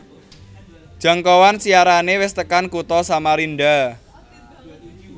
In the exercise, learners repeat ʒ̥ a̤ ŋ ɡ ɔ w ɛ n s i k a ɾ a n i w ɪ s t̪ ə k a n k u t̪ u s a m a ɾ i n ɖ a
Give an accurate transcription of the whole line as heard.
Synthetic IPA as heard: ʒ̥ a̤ ŋ k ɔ w a n s i a ɾ a n e w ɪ s t̪ ə k a n k u t̪ ɔ s a m a ɾ i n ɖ a